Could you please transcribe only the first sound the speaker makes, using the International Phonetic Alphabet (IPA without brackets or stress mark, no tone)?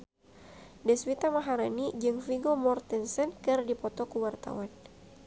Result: d